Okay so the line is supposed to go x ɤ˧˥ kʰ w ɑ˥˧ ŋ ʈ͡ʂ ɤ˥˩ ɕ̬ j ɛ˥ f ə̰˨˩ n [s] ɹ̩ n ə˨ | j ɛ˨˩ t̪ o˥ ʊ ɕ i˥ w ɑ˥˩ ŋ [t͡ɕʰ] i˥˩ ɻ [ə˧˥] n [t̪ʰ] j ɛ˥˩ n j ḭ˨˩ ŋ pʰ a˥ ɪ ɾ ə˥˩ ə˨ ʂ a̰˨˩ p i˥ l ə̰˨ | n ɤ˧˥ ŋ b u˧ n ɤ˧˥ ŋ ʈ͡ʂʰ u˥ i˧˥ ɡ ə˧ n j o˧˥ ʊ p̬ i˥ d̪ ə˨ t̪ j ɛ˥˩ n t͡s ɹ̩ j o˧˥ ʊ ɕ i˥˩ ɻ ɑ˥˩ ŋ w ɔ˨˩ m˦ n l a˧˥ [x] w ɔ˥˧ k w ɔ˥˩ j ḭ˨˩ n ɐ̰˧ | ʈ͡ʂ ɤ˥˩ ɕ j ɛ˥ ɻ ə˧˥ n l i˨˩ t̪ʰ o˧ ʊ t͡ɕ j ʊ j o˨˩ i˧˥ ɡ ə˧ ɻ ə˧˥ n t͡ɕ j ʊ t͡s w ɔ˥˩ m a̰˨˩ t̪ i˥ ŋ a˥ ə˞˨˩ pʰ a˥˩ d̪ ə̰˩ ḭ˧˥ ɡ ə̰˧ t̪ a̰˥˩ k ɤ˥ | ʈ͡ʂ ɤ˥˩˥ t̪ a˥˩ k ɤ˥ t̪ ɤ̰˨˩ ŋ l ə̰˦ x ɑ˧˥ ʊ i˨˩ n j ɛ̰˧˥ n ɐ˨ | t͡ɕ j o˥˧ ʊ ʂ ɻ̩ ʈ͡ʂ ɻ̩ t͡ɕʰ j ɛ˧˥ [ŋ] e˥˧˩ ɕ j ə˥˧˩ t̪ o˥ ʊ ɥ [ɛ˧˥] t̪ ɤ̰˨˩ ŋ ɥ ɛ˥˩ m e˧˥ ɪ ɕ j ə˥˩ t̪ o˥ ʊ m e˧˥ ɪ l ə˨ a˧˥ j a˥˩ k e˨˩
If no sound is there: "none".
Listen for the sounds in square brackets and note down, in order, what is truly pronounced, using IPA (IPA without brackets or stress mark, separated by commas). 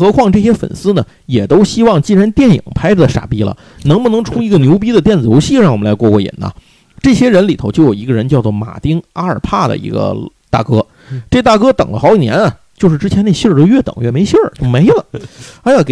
s, t͡ɕ, a˧˥, t̪, k, n, ɛ˥˩